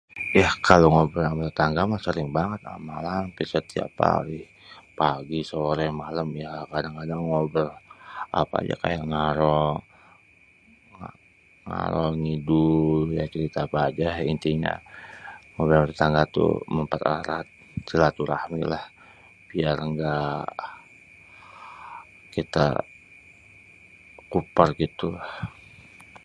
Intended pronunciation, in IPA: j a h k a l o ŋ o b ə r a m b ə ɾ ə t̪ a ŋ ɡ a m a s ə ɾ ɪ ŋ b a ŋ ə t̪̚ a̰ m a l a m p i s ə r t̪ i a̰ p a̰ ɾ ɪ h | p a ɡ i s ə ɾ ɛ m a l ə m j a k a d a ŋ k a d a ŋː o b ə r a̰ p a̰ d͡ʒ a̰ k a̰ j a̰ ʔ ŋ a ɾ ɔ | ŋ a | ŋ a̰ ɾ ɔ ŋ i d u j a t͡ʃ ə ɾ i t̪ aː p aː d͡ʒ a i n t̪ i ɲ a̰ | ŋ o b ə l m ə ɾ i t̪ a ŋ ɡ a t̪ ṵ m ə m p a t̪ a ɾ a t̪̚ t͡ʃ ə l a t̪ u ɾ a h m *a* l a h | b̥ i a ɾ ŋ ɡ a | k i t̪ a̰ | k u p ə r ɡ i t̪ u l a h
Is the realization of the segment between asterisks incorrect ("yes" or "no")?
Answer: yes